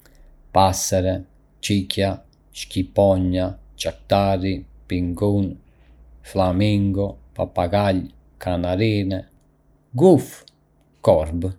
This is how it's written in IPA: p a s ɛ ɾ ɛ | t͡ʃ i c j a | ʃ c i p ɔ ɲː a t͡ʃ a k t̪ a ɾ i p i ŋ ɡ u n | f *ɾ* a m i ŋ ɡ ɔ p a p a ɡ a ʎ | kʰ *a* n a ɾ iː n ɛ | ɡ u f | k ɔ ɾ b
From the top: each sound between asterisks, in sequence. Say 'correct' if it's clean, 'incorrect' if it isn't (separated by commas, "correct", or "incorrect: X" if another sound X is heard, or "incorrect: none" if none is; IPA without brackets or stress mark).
incorrect: l, correct